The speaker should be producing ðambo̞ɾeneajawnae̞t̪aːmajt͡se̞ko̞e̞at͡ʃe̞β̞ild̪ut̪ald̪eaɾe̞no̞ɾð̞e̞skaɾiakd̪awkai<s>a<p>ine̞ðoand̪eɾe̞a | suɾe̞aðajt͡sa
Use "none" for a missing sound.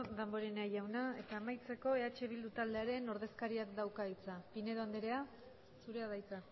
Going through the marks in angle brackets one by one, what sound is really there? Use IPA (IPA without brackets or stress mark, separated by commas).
t͡s, p